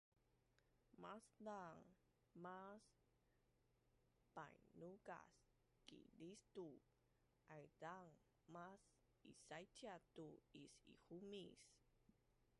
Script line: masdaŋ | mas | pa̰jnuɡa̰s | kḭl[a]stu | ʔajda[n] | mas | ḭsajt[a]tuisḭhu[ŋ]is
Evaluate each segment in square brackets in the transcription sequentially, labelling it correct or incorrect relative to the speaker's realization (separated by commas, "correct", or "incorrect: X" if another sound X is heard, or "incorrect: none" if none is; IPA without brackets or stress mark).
incorrect: i, incorrect: ŋ, correct, incorrect: m